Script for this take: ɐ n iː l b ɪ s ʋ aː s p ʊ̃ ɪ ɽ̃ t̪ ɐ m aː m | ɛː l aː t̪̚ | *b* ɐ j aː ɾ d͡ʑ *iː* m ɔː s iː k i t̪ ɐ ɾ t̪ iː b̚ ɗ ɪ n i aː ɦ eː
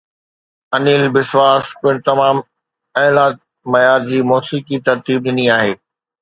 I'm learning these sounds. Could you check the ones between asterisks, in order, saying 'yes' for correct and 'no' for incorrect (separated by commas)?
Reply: no, yes